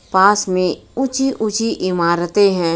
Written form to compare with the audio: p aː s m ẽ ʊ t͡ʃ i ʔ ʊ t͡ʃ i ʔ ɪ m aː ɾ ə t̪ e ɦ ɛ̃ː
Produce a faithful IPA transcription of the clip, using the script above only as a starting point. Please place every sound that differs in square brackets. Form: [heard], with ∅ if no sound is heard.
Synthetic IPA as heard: p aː s m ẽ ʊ t͡ʃ i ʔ ʊ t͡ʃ i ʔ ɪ m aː ɾ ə t̪ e ɦ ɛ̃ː